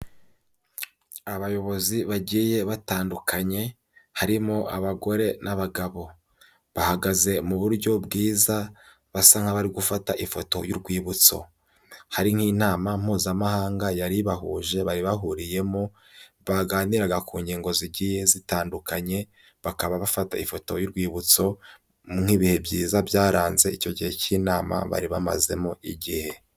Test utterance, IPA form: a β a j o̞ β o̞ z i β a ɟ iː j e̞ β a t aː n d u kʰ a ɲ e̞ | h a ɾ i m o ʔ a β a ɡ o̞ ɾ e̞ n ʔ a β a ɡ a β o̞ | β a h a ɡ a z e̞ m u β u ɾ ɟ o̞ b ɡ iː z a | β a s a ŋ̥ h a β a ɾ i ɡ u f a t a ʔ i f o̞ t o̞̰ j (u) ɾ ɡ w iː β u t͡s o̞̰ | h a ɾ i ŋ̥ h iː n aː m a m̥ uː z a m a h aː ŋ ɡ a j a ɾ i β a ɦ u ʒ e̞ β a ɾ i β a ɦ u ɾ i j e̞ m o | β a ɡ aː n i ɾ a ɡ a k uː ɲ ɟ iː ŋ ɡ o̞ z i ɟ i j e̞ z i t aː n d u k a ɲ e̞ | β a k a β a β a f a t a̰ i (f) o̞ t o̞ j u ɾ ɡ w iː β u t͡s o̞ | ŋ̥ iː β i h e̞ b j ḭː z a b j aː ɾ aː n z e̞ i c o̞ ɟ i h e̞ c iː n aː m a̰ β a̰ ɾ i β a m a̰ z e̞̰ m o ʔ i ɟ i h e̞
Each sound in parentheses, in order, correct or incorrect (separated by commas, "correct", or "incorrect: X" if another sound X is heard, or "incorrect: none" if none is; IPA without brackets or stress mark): correct, correct